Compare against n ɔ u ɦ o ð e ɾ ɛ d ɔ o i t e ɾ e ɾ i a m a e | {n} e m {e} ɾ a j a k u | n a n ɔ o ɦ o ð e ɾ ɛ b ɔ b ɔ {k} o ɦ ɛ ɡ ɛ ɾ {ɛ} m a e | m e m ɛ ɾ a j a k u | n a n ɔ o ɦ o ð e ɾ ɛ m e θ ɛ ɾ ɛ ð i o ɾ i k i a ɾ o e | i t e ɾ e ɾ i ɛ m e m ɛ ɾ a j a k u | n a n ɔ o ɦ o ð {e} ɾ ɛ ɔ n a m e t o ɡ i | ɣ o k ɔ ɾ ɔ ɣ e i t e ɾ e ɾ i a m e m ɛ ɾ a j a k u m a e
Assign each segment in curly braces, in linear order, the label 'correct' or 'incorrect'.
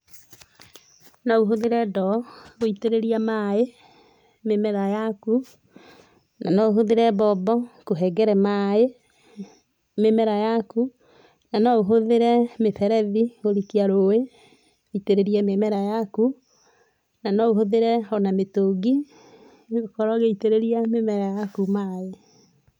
incorrect: m, incorrect: ɛ, correct, correct, correct

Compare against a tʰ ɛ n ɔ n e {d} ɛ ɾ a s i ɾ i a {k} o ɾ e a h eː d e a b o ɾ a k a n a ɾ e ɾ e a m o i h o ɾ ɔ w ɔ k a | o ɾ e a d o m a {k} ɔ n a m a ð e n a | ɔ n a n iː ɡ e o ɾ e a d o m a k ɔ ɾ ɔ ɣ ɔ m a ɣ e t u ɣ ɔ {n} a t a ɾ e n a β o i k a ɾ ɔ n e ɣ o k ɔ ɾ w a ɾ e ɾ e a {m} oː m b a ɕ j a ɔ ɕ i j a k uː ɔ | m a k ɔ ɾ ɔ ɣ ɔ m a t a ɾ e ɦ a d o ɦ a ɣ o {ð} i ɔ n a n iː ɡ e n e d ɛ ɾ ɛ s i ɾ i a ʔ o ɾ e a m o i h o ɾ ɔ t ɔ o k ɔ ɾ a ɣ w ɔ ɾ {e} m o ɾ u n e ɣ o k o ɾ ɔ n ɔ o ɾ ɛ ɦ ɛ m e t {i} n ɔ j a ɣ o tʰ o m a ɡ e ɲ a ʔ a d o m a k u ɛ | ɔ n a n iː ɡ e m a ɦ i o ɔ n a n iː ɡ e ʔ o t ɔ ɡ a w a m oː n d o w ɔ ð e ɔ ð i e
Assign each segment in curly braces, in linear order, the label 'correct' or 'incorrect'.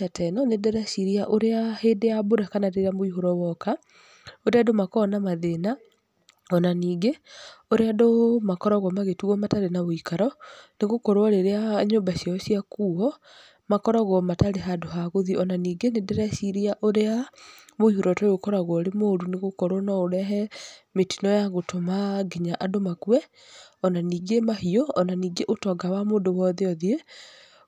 correct, incorrect: ʔ, correct, incorrect: m, incorrect: ɲ, correct, correct, correct

